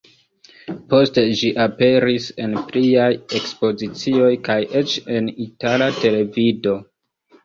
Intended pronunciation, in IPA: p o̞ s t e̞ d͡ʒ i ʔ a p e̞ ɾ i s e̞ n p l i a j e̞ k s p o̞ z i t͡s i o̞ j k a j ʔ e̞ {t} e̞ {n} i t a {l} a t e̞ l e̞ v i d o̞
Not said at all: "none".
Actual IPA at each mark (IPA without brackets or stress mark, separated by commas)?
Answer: t͡ʃ, n, l